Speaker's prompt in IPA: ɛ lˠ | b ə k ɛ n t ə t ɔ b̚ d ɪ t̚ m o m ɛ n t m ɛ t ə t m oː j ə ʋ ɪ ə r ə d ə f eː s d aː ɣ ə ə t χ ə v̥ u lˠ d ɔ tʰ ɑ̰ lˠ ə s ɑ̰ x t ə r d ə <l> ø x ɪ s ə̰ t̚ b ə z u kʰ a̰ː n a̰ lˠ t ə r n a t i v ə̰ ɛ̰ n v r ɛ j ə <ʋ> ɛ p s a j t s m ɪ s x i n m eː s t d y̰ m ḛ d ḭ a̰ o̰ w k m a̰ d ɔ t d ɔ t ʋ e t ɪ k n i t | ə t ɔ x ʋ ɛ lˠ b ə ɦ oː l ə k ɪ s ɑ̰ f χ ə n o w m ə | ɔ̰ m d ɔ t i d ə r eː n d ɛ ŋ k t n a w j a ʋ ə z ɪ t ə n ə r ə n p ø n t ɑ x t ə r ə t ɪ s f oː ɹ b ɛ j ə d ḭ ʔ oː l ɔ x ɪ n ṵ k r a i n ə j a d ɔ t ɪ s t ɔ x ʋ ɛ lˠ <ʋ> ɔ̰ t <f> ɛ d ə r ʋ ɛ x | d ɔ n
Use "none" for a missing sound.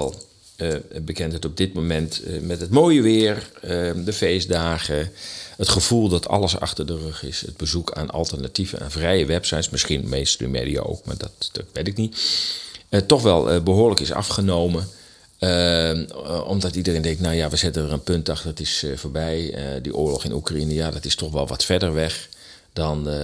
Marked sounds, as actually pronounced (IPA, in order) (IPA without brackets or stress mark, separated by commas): r, ʋ, ʋ, f